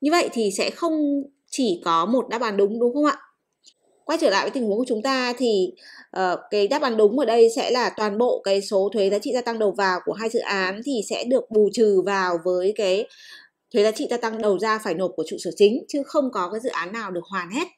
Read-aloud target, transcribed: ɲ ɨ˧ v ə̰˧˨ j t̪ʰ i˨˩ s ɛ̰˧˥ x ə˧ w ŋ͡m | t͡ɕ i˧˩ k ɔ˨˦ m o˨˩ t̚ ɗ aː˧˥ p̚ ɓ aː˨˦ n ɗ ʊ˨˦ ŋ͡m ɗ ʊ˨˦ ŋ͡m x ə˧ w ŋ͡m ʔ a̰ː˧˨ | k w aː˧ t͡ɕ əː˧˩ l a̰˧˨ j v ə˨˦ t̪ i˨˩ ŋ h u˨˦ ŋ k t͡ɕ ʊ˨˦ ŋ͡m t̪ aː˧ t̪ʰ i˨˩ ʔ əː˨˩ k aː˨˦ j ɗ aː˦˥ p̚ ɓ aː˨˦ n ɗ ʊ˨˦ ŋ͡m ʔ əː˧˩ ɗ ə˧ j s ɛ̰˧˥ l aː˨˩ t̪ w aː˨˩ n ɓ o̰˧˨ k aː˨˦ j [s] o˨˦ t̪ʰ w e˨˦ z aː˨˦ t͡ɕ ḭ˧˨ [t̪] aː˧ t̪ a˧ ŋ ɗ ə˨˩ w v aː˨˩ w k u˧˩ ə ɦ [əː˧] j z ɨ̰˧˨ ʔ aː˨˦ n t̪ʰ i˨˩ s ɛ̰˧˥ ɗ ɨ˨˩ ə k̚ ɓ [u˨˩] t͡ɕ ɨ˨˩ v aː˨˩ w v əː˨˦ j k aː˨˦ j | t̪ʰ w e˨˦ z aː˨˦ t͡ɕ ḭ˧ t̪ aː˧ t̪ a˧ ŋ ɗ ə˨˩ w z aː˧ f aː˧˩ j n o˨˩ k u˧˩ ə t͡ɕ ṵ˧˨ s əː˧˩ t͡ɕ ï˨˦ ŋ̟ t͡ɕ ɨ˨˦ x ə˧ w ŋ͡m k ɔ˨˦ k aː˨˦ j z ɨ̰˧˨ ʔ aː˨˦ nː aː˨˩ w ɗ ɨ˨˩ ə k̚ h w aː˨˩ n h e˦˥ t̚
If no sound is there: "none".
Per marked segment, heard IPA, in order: s, t̪, aː˧, u˨˩

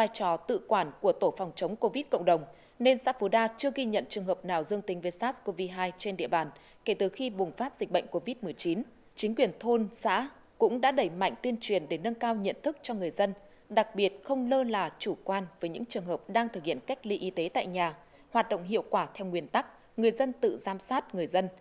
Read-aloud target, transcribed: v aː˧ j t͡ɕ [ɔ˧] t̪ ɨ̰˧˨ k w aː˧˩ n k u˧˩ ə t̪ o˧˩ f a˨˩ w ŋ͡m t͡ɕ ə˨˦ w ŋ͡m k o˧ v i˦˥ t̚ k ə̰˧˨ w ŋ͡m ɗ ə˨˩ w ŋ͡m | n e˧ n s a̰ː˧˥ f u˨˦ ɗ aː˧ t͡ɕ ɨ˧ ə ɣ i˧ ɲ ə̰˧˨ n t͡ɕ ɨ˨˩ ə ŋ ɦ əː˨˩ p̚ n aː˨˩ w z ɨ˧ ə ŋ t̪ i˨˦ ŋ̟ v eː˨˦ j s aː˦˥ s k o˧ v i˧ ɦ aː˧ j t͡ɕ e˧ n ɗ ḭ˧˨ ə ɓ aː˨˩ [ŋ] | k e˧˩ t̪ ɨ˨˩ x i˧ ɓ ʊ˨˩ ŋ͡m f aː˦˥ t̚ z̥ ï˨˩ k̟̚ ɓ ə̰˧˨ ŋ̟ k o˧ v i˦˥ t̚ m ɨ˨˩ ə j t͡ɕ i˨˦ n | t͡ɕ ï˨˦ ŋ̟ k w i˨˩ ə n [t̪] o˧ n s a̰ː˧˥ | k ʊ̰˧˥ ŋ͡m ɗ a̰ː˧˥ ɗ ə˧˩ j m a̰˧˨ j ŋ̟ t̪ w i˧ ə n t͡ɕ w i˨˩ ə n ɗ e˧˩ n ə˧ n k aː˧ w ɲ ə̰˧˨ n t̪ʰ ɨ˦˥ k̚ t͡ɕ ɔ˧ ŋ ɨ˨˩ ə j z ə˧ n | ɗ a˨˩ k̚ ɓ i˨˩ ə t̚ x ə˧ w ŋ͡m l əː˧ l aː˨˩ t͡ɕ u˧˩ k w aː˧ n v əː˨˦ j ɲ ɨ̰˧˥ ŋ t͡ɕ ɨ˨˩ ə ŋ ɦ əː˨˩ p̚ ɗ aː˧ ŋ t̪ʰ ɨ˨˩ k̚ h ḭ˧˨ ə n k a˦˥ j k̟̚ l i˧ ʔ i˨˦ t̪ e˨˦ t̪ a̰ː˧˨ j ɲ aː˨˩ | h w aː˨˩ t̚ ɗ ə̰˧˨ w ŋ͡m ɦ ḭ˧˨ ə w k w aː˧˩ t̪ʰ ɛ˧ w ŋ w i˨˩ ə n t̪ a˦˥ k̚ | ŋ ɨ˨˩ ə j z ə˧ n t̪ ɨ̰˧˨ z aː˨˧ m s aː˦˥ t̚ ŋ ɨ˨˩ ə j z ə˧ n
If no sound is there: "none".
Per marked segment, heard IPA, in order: ɔ˨˩, n, t̪ʰ

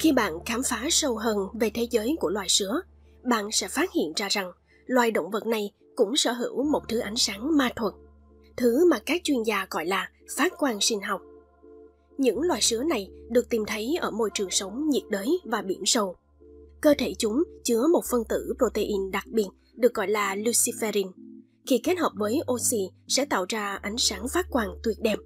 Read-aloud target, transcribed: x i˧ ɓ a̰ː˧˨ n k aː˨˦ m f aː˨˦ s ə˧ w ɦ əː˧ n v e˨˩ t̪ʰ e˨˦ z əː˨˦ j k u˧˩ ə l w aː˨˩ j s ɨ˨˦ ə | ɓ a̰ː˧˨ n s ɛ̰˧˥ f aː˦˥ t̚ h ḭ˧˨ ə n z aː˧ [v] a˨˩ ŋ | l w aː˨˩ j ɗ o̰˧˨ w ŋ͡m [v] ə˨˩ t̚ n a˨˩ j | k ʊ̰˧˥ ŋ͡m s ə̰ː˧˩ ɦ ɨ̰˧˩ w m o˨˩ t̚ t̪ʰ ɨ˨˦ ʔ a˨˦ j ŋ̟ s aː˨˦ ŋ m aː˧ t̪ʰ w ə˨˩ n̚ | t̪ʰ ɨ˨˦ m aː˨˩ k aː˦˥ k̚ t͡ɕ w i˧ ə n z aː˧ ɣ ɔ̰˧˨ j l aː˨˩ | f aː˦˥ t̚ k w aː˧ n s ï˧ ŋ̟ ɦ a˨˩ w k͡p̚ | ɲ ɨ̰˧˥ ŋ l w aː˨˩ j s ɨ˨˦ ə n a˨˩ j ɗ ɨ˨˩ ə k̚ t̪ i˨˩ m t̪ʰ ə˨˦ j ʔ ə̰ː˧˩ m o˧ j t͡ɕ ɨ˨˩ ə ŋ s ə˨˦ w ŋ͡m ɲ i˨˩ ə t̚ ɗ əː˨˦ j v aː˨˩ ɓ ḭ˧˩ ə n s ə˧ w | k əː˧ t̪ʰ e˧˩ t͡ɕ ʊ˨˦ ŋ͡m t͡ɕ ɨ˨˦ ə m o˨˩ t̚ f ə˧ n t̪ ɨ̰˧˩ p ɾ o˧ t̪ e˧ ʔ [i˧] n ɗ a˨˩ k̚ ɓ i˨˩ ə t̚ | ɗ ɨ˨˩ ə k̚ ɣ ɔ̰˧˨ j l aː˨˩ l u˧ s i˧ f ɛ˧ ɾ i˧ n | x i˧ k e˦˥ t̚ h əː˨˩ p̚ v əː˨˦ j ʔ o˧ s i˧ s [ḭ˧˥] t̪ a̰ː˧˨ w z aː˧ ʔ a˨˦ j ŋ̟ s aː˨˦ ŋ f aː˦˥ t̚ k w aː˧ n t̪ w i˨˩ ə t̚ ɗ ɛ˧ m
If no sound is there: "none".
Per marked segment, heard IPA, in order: z, v, i˧, ɛ̰˧˥

